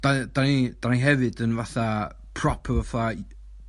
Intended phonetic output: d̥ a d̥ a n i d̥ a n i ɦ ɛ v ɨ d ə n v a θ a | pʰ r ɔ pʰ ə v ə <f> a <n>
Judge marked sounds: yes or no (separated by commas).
yes, no